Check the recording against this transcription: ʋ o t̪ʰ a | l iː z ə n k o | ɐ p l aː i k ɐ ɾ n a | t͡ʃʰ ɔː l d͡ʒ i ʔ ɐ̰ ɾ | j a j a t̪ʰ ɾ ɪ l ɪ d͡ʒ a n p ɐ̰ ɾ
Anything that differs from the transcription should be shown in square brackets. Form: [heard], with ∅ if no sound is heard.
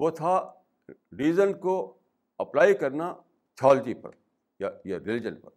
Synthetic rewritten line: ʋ o t̪ʰ a | [ɾ] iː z ə n k o | ɐ p l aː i k ɐ ɾ n a | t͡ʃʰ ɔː l d͡ʒ i [p] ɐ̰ ɾ | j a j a [∅] ɾ ɪ l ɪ d͡ʒ [ə] n p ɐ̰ ɾ